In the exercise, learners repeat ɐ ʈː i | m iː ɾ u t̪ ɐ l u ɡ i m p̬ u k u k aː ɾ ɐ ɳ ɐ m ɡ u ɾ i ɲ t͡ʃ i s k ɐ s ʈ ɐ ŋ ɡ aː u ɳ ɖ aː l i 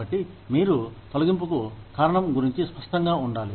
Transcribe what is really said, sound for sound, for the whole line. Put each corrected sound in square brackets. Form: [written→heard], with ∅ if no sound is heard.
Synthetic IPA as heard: ɐ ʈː i | m iː ɾ u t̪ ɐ l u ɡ i m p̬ u k u k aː ɾ ɐ ɳ ɐ m ɡ u ɾ i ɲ t͡ʃ i s [k→p] ɐ [s→ʂ] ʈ ɐ ŋ ɡ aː u ɳ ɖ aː l i

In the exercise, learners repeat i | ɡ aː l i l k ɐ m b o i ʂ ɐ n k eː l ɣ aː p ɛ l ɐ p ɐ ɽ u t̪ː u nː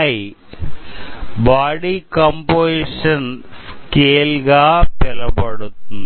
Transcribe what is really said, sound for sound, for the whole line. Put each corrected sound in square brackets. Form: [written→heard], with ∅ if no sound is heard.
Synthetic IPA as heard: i | [ɡ→b] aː [l→ɽ] i [l→∅] k ɐ m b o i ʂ ɐ n k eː l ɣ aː p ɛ l ɐ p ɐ ɽ u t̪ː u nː

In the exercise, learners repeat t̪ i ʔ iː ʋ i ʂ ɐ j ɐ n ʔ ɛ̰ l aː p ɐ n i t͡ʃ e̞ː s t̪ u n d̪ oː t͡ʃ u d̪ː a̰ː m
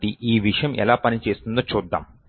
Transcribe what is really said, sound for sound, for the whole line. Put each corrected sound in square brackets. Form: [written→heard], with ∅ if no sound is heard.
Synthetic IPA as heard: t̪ i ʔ iː ʋ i ʂ ɐ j ɐ [n→m] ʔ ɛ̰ l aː p ɐ n i t͡ʃ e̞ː s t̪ u n d̪ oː t͡ʃ [u→uː] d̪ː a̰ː m

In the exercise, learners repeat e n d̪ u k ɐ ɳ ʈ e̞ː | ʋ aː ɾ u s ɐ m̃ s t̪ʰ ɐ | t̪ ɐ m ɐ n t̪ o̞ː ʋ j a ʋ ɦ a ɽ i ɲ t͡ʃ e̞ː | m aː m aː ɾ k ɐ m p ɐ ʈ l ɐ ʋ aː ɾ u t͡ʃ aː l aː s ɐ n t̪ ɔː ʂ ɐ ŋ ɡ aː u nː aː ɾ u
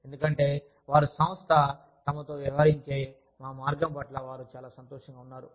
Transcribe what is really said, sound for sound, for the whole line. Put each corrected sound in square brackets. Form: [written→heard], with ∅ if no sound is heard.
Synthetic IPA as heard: e n d̪ u k ɐ ɳ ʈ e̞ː | ʋ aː ɾ u s ɐ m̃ s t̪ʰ ɐ | t̪ ɐ m ɐ [n→∅] t̪ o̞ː ʋ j [a→ɐ] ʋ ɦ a [ɽ→ɾ] i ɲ t͡ʃ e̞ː | m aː m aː ɾ [k→ɡ] ɐ m p ɐ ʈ l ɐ ʋ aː ɾ u t͡ʃ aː l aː s ɐ n t̪ ɔː ʂ ɐ ŋ ɡ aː u nː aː ɾ u

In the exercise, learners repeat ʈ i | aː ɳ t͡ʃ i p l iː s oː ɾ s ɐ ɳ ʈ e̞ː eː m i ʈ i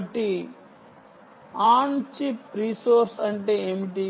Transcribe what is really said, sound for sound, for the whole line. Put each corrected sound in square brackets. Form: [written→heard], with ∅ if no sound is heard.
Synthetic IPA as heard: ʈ i | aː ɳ t͡ʃ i p [l→ɾ] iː s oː ɾ s ɐ ɳ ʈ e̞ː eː m i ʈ i

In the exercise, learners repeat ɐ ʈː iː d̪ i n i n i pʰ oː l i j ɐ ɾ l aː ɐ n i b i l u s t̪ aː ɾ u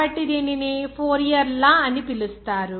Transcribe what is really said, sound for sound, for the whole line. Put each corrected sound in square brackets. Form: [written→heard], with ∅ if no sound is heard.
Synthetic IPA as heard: ɐ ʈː [iː→i] d̪ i n i n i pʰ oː [l→ɾ] i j ɐ ɾ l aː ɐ n i [b→p] i l u s t̪ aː ɾ u

